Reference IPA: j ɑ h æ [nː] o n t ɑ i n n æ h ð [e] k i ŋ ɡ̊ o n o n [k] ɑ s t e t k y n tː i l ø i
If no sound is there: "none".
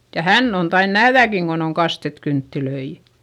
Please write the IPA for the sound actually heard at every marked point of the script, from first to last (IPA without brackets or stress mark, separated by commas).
nː, æ, k